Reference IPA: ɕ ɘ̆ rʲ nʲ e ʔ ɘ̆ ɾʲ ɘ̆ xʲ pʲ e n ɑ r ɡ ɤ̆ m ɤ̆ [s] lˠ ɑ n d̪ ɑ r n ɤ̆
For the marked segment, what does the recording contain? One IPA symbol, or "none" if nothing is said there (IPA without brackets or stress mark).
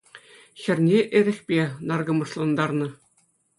ʂ